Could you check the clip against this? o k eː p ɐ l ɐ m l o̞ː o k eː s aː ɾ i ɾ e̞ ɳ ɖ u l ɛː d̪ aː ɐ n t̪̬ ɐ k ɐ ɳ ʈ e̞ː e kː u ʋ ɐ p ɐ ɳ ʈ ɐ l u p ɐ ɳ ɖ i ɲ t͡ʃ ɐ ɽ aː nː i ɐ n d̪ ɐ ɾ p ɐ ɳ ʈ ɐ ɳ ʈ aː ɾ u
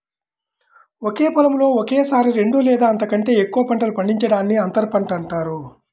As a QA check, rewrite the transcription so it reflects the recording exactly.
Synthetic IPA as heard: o k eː p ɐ l ɐ m l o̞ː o k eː s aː ɾ i ɾ e̞ ɳ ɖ u l ɛː d̪ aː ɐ n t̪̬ ɐ k ɐ ɳ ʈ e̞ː e kː u ʋ ɐ p ɐ ɳ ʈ ɐ l u p ɐ ɳ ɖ i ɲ t͡ʃ ɐ ɽ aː nː i ɐ n t̪ ɐ ɾ p ɐ ɳ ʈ ɐ ɳ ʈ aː ɾ u